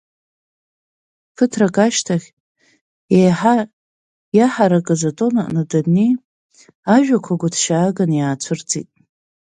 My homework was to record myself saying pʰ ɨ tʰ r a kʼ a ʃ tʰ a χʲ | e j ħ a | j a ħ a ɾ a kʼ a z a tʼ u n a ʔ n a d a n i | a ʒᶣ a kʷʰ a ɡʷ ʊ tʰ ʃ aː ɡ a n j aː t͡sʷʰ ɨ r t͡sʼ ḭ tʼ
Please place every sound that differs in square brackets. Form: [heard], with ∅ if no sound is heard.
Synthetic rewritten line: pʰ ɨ tʰ r a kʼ a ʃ tʰ a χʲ | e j ħ a | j a ħ a ɾ a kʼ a z a tʼ [o] n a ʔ n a d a n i | a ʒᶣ a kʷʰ a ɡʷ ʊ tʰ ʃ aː ɡ a n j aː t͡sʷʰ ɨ r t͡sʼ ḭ tʼ